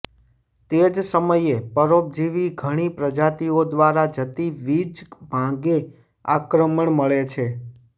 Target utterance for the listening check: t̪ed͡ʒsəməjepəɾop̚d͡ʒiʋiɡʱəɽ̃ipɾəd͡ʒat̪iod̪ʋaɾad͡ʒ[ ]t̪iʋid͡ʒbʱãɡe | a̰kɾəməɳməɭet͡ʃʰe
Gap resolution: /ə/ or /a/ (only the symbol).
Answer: ə